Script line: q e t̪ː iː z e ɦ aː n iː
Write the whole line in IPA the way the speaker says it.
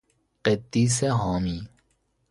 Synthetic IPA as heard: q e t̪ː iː s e ɦ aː m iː